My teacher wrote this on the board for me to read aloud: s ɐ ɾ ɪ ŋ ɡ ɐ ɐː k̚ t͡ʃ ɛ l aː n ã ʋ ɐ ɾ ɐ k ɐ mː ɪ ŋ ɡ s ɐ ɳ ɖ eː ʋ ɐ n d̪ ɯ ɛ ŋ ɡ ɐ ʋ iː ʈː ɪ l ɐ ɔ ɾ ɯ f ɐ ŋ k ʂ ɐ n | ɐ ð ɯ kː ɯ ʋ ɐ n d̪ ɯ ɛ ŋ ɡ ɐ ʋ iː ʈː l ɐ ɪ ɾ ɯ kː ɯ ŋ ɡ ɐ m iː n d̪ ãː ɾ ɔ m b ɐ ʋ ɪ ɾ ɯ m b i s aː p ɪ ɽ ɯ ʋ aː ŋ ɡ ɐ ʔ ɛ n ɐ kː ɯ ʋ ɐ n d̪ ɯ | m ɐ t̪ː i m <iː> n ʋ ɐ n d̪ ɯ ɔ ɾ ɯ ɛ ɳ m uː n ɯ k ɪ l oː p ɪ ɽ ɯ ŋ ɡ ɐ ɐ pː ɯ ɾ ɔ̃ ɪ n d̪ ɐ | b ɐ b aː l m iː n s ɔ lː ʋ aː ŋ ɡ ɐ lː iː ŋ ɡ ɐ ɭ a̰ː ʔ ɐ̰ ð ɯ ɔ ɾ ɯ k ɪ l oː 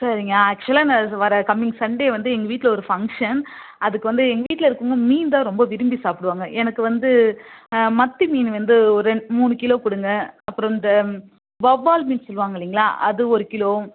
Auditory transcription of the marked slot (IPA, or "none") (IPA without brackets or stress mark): iː